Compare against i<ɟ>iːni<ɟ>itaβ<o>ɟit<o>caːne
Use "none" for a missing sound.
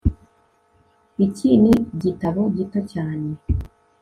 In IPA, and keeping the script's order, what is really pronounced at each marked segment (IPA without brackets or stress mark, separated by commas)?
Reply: c, ɟ, o, o